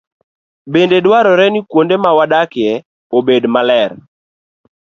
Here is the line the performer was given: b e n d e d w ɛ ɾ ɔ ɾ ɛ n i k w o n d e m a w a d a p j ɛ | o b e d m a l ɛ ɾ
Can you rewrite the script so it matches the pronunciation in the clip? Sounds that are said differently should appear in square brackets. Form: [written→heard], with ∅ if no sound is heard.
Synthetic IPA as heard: b e n d e d w [ɛ→a] ɾ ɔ ɾ ɛ n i k w o n d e m a w a d a [p→k] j ɛ | o b e d m a l ɛ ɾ